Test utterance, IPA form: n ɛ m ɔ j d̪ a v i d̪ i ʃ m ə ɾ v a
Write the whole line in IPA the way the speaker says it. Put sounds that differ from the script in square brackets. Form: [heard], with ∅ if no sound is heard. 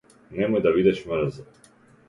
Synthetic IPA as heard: n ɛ m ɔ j d̪ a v i d̪ [ɛ] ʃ m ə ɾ [z] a